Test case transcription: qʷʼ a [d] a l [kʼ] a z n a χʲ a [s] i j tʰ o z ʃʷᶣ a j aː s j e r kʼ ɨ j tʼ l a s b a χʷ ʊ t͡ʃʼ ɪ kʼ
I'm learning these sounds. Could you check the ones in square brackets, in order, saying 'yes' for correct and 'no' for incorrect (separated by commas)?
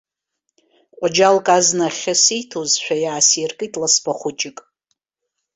no, yes, yes